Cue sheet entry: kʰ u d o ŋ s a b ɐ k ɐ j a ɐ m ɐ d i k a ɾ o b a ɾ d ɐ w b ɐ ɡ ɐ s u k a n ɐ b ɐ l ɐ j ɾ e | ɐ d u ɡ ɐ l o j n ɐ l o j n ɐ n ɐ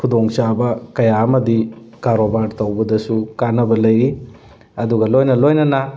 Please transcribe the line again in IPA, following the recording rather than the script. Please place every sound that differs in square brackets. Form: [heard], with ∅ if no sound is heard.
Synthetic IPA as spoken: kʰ u d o ŋ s a b ɐ k ɐ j a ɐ m ɐ d i k a ɾ o b a ɾ [t] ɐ w b ɐ [d] ɐ s u k a n ɐ b ɐ l ɐ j ɾ [i] | ɐ d u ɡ ɐ l o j n ɐ l o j n ɐ n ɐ